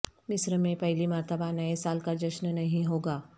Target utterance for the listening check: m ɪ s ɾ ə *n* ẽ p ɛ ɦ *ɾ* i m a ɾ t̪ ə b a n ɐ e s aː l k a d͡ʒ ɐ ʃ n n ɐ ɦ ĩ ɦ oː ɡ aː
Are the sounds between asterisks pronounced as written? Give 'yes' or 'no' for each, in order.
no, no

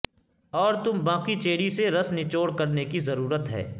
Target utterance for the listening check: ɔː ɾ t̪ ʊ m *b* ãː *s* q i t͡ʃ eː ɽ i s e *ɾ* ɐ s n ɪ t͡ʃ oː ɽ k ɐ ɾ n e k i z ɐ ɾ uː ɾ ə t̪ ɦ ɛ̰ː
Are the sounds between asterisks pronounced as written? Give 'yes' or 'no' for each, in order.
yes, no, yes

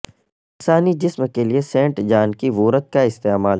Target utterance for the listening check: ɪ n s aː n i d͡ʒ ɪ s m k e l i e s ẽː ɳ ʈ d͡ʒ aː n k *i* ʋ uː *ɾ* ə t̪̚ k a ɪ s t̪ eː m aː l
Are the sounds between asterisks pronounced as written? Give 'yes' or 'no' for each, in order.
yes, yes

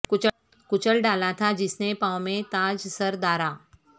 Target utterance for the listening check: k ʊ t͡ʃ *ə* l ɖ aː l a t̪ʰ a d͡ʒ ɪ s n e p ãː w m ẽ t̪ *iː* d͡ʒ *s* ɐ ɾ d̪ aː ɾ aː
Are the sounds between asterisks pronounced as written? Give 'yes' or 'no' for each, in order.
yes, no, yes

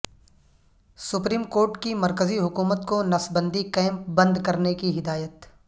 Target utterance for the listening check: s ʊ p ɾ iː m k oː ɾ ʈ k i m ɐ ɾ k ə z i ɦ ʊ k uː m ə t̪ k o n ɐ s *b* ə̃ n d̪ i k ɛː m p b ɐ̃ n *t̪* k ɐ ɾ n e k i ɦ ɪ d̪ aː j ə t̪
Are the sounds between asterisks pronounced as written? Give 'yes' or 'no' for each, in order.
yes, no

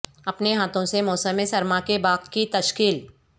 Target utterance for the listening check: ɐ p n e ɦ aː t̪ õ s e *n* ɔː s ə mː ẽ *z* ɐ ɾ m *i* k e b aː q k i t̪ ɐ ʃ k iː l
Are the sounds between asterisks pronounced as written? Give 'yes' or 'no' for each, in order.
no, no, no

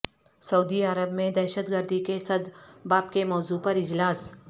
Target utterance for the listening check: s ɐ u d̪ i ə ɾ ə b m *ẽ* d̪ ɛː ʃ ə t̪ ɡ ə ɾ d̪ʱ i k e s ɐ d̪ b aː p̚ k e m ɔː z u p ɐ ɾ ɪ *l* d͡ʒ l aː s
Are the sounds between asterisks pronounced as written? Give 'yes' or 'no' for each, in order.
yes, no

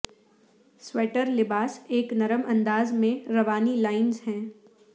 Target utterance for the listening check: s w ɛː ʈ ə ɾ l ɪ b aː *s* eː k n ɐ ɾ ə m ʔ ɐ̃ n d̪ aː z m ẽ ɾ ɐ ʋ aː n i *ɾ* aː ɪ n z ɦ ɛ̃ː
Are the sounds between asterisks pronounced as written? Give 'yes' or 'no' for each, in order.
yes, no

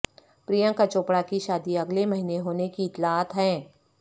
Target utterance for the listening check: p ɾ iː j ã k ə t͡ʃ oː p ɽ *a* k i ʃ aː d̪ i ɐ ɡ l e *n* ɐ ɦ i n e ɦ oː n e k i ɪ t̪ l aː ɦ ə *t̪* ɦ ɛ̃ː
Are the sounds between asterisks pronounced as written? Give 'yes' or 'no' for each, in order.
yes, no, yes

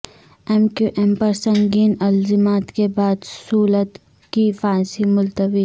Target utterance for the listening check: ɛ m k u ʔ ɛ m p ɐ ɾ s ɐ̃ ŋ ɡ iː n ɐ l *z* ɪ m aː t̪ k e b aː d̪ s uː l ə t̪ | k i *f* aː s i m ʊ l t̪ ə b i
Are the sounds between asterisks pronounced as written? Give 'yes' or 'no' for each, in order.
yes, yes

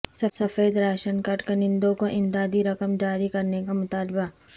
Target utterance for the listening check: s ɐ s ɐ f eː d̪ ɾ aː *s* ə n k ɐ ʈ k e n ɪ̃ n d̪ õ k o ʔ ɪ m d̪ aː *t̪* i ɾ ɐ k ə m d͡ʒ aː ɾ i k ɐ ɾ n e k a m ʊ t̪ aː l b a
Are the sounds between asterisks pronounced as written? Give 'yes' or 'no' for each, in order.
no, no

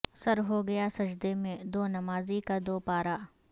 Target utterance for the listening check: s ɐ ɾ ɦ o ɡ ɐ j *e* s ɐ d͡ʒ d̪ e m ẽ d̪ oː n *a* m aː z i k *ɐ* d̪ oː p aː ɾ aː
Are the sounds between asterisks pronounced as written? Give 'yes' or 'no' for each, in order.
no, no, no

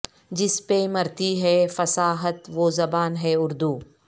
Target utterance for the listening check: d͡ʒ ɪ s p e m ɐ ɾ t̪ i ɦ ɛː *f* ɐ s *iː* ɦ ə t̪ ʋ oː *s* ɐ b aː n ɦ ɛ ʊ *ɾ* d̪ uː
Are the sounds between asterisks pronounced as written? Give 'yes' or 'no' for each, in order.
yes, no, no, yes

